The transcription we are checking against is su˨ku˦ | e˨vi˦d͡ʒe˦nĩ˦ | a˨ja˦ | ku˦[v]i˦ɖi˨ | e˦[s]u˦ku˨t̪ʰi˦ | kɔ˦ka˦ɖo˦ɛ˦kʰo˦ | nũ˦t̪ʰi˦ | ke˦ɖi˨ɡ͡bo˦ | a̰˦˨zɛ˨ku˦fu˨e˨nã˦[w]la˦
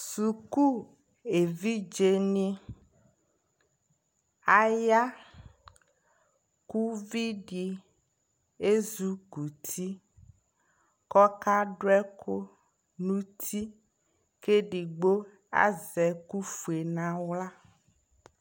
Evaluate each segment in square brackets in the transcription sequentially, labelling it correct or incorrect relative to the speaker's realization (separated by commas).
correct, incorrect, correct